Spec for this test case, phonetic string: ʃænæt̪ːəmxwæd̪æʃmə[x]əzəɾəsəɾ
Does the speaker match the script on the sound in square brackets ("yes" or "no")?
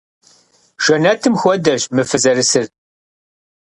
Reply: no